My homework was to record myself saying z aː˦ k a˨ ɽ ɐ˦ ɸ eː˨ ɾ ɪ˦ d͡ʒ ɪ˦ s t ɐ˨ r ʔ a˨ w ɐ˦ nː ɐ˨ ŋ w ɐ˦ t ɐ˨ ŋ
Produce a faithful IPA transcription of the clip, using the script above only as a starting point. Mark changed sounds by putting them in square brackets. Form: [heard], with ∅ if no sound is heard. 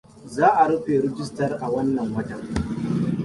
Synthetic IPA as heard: z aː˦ [ʔ] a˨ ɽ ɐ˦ ɸ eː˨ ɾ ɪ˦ d͡ʒ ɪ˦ s t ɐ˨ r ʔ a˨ w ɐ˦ nː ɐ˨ ŋ w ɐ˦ t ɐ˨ ŋ